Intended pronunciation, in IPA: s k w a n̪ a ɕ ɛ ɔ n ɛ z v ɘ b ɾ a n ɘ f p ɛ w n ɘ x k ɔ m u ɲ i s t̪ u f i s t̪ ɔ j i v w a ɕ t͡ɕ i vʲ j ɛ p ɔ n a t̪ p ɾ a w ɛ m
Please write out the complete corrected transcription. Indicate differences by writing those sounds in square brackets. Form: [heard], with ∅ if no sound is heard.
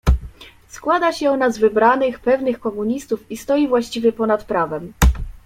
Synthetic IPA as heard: s k w a [d̪] a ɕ ɛ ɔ n [a] z v ɘ b ɾ a n ɘ [x] p ɛ [v] n ɘ x k ɔ m u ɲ i s t̪ u f i s t̪ ɔ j i v w a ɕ t͡ɕ i vʲ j ɛ p ɔ n a t̪ p ɾ a [v] ɛ m